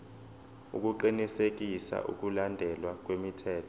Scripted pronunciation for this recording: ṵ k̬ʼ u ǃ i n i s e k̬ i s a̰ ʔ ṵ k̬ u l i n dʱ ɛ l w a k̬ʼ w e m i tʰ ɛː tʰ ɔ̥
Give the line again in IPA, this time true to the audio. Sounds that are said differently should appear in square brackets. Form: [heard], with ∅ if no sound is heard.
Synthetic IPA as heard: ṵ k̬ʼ u ǃ i n i s e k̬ i s a̰ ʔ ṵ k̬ u l [a] n dʱ ɛ l w a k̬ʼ w e m i tʰ ɛː tʰ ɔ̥